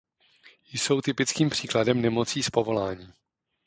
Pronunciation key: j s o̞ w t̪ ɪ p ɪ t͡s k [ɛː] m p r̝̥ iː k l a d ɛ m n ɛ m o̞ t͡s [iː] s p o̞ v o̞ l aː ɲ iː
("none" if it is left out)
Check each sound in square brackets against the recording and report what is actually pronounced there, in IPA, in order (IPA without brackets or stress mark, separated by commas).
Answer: iː, iː